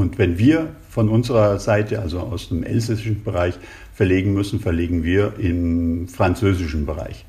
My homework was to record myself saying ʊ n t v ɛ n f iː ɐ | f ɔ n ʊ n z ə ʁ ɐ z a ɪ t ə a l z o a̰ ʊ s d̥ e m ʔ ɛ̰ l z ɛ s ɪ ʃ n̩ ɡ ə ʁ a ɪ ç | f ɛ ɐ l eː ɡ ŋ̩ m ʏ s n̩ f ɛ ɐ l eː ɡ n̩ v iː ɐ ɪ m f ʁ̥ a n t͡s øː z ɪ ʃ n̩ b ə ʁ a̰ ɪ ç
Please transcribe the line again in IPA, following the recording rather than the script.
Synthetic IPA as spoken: ʊ n t v ɛ n v iː ɐ | f ɔ n ʊ n z ə ʁ ɐ z a ɪ t ə a l z o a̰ ʊ s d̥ e m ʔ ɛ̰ l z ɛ s ɪ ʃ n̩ b ə ʁ a ɪ ç | f ɛ ɐ l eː ɡ ŋ̩ m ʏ s n̩ f ɛ ɐ l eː ɡ ŋ̩ v iː ɐ ɪ m f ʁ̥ a n t͡s øː z ɪ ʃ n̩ b ə ʁ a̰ ɪ ç